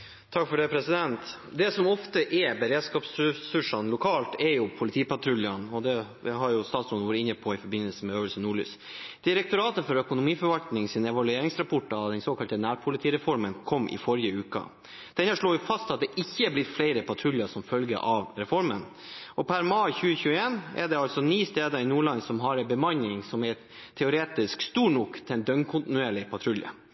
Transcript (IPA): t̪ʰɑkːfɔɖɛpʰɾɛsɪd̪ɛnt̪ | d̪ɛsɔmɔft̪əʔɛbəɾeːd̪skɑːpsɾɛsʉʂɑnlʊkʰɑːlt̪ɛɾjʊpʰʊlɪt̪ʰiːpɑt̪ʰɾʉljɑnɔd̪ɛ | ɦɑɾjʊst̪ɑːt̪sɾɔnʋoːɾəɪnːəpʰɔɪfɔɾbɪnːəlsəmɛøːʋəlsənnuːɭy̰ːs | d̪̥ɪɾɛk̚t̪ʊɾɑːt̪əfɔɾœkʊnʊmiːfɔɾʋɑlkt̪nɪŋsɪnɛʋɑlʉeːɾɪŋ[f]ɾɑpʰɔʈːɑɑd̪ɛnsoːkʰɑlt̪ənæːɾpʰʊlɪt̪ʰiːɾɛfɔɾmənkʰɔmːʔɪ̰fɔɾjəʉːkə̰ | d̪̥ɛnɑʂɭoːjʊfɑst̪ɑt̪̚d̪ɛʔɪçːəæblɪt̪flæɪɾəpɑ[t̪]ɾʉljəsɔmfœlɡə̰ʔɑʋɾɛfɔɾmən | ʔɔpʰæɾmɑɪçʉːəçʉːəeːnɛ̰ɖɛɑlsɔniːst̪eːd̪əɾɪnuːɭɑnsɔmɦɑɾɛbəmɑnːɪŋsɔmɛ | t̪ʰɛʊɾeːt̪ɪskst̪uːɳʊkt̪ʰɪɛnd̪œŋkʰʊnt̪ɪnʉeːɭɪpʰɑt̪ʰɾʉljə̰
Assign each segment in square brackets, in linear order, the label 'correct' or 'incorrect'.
incorrect: s, incorrect: t̪ʰ

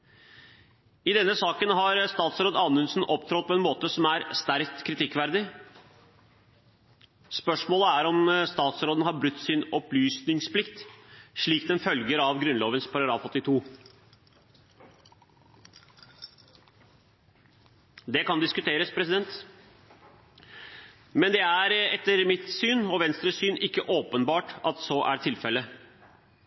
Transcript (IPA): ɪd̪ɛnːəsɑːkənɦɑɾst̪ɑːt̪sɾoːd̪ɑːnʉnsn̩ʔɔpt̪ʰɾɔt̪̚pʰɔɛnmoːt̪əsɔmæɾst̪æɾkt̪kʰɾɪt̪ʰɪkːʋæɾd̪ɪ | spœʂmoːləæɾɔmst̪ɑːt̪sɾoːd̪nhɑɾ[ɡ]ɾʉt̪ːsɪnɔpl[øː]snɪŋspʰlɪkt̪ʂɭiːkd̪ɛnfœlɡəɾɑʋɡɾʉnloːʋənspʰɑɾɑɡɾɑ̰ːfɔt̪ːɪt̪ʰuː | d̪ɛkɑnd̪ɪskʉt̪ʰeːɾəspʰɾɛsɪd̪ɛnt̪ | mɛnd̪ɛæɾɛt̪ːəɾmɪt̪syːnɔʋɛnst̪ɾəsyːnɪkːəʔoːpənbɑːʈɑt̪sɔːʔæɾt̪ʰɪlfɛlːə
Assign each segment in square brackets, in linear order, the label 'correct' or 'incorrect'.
incorrect: b, incorrect: yː

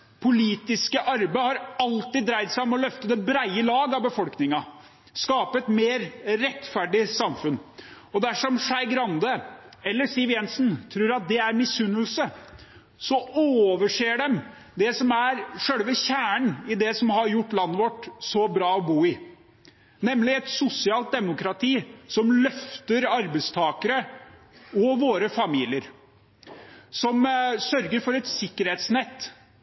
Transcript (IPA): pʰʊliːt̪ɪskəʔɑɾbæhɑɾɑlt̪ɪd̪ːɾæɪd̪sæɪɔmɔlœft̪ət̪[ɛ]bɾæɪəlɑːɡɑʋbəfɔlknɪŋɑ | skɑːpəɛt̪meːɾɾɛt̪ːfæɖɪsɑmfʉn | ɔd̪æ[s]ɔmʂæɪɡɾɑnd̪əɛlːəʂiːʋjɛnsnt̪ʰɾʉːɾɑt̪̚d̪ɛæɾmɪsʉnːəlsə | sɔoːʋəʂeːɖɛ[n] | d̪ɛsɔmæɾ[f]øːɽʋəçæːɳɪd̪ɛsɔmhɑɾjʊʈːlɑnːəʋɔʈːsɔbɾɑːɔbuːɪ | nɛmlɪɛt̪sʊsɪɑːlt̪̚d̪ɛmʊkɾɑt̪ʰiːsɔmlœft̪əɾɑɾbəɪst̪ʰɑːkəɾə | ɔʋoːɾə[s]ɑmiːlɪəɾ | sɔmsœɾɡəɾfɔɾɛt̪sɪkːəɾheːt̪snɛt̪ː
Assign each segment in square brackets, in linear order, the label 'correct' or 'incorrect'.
correct, incorrect: ʂ, incorrect: m, incorrect: ʂ, incorrect: f

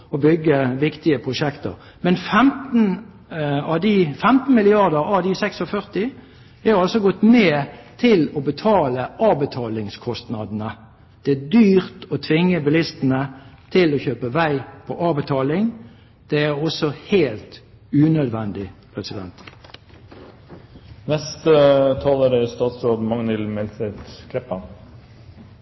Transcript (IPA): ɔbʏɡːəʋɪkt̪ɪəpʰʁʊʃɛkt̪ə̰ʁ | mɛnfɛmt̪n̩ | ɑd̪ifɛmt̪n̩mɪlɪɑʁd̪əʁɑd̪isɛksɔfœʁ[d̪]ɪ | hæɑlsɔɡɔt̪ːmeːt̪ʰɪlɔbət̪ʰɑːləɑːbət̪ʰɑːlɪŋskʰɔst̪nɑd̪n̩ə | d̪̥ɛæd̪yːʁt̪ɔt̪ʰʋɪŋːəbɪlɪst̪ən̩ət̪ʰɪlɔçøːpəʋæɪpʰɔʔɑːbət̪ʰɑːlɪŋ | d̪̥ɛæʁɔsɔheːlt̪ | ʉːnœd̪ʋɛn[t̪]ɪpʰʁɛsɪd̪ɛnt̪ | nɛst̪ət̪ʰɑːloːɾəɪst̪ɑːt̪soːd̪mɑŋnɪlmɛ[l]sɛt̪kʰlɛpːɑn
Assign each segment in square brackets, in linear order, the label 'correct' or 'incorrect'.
incorrect: t̪, incorrect: d̪, correct

